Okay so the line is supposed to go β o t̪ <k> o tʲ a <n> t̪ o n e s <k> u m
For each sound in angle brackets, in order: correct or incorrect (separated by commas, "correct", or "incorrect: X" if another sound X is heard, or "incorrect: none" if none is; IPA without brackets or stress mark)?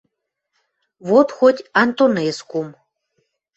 incorrect: x, correct, correct